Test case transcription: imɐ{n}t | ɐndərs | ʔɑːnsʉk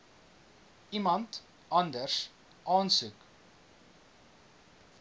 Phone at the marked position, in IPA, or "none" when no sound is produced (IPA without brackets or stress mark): n